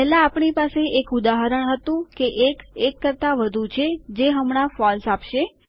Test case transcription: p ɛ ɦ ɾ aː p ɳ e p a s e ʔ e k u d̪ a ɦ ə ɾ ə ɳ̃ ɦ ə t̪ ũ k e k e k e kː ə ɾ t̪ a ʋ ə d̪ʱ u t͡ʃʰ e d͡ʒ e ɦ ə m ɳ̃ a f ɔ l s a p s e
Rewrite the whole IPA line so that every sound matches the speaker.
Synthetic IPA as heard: p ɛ ɦ l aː p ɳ i p a s e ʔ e k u d̪ a ɦ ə ɾ ə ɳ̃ ɦ ə t̪ ũ k e ʔ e k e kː ə ɾ t̪ a ʋ ə d̪ʱ u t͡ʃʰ e d͡ʒ e ɦ ə m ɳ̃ a f ɔ l s a p ʃ e